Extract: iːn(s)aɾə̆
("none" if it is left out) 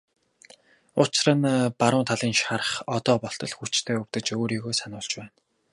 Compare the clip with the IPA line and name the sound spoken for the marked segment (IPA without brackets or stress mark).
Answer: ʃ